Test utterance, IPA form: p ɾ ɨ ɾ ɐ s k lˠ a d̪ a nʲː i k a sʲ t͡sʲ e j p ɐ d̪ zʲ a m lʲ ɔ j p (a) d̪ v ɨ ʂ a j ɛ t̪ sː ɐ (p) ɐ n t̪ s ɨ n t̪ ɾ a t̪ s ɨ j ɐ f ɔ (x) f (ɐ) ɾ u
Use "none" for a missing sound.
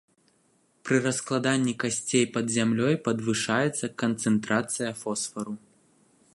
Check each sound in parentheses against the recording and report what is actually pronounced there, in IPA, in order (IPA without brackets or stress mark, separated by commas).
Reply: ɐ, k, s, ɐ